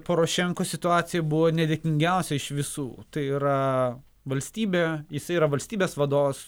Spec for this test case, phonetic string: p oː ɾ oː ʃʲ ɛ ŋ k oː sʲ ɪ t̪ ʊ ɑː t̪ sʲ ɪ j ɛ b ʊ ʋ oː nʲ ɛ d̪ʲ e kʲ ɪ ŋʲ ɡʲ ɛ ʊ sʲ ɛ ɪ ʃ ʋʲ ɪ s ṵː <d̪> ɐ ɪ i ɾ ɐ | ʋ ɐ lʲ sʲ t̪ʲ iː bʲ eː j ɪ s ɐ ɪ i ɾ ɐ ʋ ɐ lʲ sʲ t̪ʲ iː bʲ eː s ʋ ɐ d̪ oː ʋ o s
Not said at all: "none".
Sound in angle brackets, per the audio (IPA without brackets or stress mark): t̪